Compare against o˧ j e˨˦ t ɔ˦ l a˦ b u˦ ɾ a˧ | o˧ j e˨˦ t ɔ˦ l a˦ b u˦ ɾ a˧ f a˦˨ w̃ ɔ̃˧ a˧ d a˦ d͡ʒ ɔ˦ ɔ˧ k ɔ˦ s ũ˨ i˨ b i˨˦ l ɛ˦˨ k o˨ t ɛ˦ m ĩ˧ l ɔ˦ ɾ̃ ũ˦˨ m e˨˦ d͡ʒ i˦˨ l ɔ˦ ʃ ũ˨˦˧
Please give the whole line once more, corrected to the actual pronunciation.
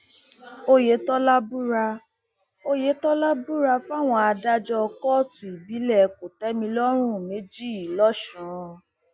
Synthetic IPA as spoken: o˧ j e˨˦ t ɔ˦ l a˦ b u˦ ɾ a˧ | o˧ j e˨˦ t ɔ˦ l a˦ b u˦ ɾ a˧ f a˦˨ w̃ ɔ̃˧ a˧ d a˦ d͡ʒ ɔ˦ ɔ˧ k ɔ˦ t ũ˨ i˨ b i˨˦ l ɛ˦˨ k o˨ t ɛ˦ m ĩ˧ l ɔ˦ ɾ̃ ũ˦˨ m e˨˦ d͡ʒ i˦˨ l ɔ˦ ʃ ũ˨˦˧

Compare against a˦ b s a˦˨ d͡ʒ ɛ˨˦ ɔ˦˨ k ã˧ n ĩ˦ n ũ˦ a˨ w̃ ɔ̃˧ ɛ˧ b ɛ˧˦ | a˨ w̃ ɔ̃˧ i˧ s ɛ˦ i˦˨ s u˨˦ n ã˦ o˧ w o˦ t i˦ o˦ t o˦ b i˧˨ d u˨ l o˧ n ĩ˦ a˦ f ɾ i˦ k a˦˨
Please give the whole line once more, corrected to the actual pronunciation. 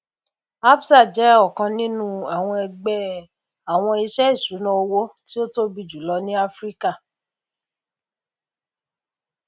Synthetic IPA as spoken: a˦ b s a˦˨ d͡ʒ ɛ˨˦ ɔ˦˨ k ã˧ n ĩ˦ n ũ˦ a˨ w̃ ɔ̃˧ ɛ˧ ɡ͡b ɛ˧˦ | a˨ w̃ ɔ̃˧ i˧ ʃ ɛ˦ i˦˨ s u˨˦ n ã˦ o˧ w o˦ t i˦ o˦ t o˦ b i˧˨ d͡ʒ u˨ l ɔ˧ n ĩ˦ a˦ f ɾ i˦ k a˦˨

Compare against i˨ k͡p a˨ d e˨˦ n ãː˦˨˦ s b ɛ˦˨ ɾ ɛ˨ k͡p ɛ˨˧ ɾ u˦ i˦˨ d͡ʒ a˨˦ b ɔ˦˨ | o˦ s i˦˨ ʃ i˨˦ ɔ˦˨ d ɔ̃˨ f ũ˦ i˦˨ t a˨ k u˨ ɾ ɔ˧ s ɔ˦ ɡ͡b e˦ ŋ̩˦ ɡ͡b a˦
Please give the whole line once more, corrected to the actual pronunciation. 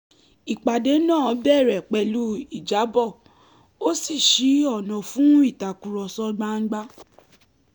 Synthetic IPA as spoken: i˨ k͡p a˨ d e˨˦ n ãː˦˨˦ b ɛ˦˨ ɾ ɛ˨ k͡p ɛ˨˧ l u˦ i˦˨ d͡ʒ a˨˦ b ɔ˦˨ | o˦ s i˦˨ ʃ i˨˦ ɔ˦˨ n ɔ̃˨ f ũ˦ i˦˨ t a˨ k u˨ ɾ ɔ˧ s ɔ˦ ɡ͡b a˦ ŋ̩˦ ɡ͡b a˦

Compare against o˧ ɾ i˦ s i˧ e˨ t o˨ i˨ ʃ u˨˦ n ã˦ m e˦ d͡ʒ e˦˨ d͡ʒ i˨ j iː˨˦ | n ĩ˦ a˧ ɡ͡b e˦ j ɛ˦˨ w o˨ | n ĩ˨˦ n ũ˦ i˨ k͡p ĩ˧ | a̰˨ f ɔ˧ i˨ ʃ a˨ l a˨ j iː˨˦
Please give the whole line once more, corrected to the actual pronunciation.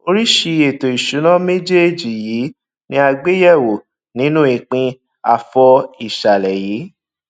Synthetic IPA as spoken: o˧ ɾ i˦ ʃ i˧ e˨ t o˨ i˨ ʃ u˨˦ n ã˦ m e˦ d͡ʒ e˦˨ d͡ʒ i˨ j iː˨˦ | n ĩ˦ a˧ ɡ͡b e˦ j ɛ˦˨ w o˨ | n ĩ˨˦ n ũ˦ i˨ k͡p ĩ˧ | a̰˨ f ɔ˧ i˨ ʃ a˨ l ɛ˨ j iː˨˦

